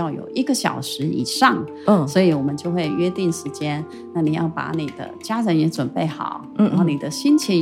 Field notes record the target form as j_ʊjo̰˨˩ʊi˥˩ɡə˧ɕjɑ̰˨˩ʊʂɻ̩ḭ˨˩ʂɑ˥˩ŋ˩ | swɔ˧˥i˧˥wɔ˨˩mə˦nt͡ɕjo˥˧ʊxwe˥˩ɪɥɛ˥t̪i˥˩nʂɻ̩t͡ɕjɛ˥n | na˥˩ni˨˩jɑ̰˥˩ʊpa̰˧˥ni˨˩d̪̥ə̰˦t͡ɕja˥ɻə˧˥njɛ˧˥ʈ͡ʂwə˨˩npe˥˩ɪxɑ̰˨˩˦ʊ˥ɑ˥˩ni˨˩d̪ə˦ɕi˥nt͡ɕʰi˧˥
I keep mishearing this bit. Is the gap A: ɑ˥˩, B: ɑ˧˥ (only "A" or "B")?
A